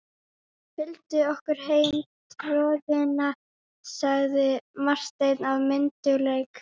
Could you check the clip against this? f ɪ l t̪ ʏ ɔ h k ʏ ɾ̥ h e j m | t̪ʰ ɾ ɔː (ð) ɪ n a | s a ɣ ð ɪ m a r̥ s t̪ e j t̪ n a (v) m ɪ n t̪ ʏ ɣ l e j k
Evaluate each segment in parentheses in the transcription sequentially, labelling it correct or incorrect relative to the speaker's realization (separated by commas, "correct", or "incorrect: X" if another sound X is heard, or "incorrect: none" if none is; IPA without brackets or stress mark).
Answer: correct, correct